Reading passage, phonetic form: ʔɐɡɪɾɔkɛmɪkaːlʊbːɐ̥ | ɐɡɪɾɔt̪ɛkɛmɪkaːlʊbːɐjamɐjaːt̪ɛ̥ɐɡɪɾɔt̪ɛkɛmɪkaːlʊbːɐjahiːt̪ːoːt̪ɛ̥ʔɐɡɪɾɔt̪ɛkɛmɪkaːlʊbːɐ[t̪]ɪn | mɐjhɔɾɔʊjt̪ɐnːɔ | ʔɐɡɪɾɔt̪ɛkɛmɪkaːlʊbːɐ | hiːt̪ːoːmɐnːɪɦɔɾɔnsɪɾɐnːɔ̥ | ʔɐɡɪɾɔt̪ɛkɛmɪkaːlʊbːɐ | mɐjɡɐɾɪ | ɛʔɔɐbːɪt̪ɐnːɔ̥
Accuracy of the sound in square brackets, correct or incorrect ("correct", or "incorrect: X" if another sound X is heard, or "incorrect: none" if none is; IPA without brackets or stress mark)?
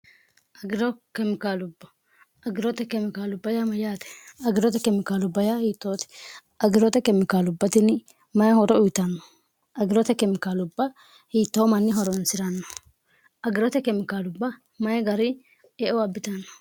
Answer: correct